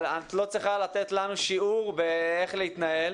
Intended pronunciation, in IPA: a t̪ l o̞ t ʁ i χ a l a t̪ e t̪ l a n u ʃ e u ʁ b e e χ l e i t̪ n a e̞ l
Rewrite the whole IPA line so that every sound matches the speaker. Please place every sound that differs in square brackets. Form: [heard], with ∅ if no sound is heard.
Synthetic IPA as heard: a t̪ l o̞ [t͡s] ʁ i χ a l a t̪ e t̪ l a n u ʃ [i] u ʁ b e e χ l e i t̪ n a e̞ l